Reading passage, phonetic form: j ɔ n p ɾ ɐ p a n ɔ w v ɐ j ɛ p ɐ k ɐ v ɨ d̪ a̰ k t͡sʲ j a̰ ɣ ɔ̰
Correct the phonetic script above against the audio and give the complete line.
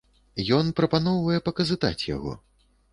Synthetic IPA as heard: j ɔ n p ɾ ɐ p a n ɔ w v ɐ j ɛ p ɐ k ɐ z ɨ t̪ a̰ t͡sʲ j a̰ ɣ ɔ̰